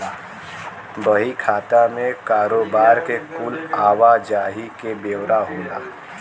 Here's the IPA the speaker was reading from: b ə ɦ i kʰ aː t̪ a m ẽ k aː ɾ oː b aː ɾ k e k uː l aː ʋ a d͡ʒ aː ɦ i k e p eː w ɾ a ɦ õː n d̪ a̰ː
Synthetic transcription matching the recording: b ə ɦ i kʰ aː t̪ a m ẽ k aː ɾ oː b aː ɾ k e k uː l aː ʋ a d͡ʒ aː ɦ i k e b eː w ɾ a ɦ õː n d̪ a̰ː